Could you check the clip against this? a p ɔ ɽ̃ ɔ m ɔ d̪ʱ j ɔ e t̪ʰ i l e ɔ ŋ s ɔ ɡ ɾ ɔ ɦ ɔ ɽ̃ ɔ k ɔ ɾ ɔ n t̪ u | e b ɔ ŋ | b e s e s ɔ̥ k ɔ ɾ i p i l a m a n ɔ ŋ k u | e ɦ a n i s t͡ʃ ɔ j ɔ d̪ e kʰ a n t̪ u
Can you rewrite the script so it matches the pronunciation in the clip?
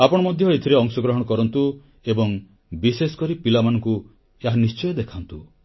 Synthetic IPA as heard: a p ɔ ɽ̃ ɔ m ɔ d̪ʱ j ɔ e t̪ʰ i ɾ e ɔ ŋ s ɔ ɡ ɾ ɔ ɦ ɔ ɽ̃ ɔ k ɔ ɾ ɔ n t̪ u | e b ɔ ŋ | b i s e s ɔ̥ k ɔ ɾ i p i l a m a n ɔ ŋ k u | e ɦ a n i s t͡ʃ ɔ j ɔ d̪ e kʰ a n t̪ u